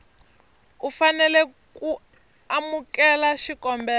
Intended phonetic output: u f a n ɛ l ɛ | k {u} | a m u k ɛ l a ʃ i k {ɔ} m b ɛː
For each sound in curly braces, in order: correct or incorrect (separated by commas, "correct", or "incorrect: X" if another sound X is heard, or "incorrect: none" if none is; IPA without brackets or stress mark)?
correct, correct